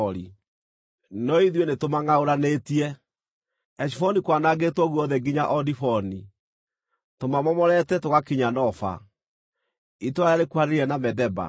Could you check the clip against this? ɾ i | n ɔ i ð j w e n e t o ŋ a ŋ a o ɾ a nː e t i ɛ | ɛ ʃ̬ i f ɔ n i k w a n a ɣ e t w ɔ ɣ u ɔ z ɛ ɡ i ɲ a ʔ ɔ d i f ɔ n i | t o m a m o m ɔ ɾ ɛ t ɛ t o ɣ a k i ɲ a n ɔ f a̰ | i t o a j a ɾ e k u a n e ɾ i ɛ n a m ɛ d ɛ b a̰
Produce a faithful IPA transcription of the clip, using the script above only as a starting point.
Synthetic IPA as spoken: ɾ i | n ɔ i ð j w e n e t o m a ŋ a o ɾ a n e t i ɛ | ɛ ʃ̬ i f ɔ n i k w a n a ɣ e t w ɔ ɣ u ɔ ð ɛ ɡ i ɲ a ʔ ɔ d i f ɔ n i | t o m a m ɔ m ɔ ɾ ɛ t ɛ t o ɣ a k i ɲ a n ɔ f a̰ | i t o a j a ɾ e k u a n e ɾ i ɛ n a m ɛ d ɛ b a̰

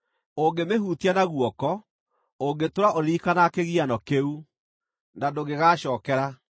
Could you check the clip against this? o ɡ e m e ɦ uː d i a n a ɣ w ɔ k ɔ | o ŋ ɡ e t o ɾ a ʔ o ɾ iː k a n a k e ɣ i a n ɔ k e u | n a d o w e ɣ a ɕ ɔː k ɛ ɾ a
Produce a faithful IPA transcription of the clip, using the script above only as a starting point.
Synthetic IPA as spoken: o ɡ e m e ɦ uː t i a n a ɣ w ɔ k ɔ | o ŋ ɡ e t o ɾ a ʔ o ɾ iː k a n a k e ɣ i a n ɔ k e u | n a d o ɣ e ɣ a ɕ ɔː k ɛ ɾ a

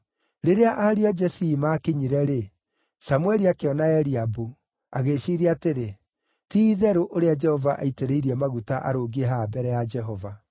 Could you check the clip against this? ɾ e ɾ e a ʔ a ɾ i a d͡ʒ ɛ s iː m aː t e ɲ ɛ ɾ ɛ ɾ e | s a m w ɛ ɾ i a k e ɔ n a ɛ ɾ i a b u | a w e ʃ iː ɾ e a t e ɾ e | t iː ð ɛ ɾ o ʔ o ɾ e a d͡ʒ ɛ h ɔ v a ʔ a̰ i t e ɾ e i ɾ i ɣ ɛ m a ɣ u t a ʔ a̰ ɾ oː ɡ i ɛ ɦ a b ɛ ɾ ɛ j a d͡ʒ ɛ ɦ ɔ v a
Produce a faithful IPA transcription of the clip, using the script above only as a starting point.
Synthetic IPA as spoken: ɾ e ɾ e a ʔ a ɾ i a d͡ʒ ɛ s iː m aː k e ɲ i ɾ ɛ ɾ e | s a m w ɛ ɾ i a k e ɔ n a ɛ ɾ i a b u | a ɣ e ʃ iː ɾ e a t e ɾ e | t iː ð ɛ ɾ o ʔ o ɾ e a d͡ʒ ɛ h ɔ v a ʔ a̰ i t e ɾ e i ɾ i ɛ m a ɣ u t a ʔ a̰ ɾ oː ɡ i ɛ ɦ a b ɛ ɾ ɛ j a d͡ʒ ɛ ɦ ɔ v a

